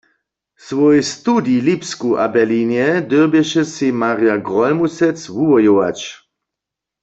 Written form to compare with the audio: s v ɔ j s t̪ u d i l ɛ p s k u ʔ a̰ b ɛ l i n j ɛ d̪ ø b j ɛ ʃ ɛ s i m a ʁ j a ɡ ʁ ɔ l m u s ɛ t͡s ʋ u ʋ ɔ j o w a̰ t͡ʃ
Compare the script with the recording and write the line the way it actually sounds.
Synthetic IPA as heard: s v ɔ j s t̪ u d i l i p s k u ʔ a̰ b ɛ l i n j ɛ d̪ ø b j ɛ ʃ ɛ s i m a ʁ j a ɡ ʁ ɔ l m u s ɛ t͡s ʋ u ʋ ɔ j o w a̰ t͡ʃ